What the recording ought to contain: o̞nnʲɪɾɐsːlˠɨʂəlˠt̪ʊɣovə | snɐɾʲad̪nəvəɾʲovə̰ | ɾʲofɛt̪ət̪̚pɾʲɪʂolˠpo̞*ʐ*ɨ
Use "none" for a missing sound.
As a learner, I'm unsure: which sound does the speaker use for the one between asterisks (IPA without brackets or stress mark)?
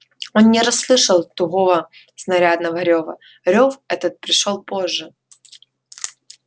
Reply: ʐː